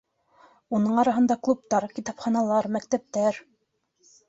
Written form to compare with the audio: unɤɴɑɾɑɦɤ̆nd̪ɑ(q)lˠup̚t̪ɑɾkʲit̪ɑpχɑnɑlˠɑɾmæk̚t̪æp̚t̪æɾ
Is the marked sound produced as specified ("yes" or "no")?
no